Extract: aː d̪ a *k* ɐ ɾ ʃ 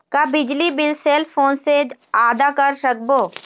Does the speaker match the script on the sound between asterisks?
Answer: yes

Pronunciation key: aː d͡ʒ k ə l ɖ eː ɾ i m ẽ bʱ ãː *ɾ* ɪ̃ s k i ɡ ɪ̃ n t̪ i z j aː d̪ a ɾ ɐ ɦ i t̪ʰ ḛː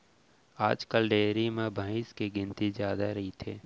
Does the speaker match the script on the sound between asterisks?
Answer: no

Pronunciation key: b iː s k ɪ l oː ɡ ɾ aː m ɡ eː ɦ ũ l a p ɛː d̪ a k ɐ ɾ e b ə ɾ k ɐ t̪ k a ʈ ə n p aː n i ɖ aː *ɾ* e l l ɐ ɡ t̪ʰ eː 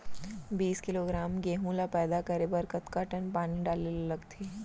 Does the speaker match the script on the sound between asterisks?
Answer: no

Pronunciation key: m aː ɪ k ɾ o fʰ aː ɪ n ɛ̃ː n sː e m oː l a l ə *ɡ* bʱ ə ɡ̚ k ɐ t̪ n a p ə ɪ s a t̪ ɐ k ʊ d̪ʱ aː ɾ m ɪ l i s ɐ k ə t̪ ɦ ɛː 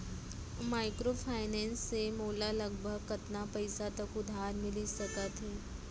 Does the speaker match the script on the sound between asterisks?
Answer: yes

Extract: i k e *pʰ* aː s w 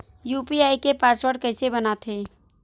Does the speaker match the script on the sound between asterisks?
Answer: no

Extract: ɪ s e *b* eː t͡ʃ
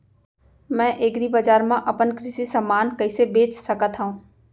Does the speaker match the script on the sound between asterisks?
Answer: yes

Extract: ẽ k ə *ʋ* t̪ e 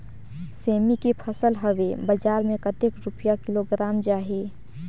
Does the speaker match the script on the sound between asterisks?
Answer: no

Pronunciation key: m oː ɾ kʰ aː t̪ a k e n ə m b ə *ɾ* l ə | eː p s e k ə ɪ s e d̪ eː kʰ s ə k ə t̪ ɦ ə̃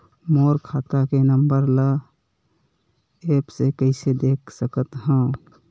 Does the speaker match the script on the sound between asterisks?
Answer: yes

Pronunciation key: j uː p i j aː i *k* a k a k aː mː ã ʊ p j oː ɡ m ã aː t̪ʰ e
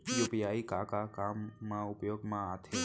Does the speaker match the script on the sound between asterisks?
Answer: yes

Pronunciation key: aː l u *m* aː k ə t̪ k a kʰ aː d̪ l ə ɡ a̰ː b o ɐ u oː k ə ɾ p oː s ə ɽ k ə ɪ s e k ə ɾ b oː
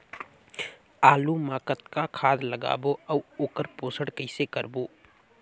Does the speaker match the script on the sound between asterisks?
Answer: yes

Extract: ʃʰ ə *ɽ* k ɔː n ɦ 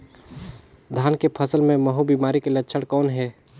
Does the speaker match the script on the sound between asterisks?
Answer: yes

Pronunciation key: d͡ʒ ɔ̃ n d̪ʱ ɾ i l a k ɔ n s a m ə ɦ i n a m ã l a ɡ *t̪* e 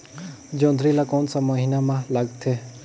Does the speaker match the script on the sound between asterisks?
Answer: no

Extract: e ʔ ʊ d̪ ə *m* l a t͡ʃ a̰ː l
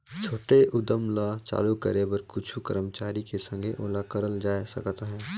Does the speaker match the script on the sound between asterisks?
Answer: yes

